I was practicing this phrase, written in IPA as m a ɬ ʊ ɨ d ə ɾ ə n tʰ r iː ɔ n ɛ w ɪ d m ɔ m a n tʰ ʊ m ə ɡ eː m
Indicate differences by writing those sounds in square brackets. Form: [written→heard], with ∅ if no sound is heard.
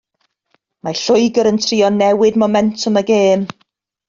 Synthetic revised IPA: m a ɬ ʊ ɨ [d→ɡ] ə ɾ ə n tʰ r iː ɔ n ɛ w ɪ d m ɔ m [a→ɛ] n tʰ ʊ m ə ɡ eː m